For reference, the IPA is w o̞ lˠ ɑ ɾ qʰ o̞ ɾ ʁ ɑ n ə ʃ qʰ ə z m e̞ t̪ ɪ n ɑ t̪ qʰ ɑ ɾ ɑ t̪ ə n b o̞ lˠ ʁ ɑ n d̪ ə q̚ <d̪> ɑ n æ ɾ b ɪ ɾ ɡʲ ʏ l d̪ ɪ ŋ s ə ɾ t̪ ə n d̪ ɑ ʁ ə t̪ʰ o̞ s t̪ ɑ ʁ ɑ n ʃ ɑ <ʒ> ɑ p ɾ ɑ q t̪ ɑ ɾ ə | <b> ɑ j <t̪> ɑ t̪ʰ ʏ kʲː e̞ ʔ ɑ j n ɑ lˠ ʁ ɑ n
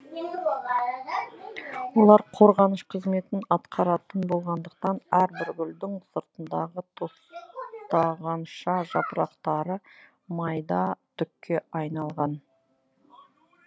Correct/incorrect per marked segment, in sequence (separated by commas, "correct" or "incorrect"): incorrect, correct, incorrect, incorrect